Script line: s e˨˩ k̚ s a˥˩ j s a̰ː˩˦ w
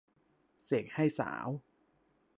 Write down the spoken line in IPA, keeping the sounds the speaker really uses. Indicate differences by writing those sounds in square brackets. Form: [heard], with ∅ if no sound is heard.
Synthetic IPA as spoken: s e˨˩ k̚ [h] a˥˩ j s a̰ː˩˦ w